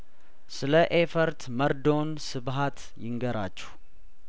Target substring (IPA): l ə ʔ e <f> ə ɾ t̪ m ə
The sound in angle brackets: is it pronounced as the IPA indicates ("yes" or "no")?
yes